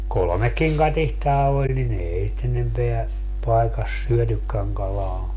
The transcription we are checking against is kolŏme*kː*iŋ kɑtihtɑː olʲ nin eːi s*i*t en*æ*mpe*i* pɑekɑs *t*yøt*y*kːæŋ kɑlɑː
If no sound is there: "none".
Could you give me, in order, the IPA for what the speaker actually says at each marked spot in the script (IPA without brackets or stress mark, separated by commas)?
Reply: kː, i, e, æ, s, y